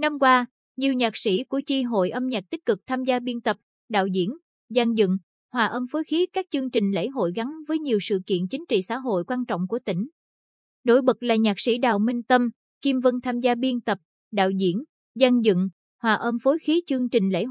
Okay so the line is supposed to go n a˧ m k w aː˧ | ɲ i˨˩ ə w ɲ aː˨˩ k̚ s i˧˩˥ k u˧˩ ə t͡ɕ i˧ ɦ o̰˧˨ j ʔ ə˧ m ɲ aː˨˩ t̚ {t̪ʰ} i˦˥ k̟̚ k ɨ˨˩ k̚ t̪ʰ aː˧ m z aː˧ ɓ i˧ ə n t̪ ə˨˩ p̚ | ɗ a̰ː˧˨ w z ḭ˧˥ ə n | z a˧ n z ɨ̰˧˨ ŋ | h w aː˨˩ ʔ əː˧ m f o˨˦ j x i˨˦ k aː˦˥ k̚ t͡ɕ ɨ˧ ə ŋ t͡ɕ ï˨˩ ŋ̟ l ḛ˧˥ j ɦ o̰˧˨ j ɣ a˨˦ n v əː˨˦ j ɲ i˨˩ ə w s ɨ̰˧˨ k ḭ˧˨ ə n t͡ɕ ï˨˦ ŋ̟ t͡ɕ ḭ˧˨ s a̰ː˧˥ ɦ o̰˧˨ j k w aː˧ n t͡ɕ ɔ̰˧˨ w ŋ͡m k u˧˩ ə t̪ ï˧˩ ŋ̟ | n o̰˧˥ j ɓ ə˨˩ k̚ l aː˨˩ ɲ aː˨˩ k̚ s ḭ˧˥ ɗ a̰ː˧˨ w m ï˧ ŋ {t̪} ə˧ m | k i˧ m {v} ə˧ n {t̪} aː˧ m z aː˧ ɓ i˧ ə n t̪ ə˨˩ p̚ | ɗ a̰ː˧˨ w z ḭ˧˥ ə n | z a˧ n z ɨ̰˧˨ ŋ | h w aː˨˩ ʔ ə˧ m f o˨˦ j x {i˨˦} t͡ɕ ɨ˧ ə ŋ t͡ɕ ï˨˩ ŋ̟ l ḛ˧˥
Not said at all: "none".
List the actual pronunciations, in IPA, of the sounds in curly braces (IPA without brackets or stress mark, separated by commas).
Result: t̪, t̪, v, t̪ʰ, i˨˦